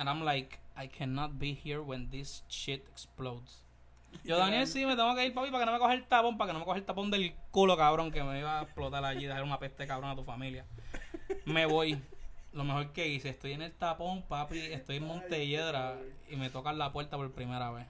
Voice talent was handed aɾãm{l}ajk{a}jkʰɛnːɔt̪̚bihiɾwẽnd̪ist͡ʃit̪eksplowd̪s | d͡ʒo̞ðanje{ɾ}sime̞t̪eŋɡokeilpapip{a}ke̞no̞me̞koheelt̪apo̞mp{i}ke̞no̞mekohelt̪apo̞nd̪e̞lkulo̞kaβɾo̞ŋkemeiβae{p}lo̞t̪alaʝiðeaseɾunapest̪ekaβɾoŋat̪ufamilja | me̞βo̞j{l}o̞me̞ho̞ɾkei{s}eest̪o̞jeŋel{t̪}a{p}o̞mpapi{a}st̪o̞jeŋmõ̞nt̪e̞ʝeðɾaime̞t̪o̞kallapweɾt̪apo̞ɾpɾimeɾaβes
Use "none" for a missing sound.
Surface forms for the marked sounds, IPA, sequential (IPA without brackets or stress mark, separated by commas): l, a, l, a, a, p, l, s, t̪, p, e